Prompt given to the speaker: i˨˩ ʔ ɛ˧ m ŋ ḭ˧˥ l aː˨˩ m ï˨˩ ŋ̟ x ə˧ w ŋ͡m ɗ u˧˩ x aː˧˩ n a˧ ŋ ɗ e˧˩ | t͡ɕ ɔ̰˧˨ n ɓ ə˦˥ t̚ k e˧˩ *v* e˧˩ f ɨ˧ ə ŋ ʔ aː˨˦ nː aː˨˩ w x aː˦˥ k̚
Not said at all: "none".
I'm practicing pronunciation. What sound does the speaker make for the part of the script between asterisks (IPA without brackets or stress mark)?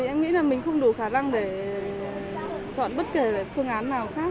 v